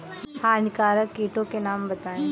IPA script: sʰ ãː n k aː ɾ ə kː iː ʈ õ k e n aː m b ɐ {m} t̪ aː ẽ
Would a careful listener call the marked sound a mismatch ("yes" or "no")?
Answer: yes